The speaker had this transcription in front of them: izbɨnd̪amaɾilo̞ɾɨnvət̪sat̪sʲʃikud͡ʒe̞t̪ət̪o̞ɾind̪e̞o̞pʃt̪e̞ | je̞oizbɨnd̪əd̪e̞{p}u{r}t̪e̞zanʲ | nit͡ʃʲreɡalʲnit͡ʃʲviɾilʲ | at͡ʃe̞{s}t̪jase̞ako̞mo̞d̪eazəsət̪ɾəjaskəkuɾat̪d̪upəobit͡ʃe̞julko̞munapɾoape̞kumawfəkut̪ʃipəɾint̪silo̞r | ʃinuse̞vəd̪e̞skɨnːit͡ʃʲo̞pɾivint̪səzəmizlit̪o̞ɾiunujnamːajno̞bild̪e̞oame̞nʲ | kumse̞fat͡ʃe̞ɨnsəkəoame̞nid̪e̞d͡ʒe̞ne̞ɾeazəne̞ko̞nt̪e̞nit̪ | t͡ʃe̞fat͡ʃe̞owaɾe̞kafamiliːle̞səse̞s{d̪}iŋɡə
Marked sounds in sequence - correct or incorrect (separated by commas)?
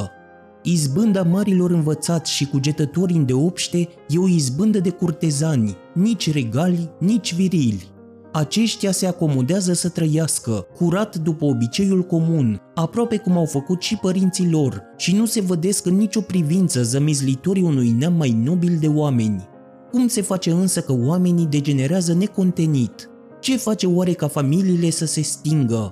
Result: incorrect, correct, incorrect, incorrect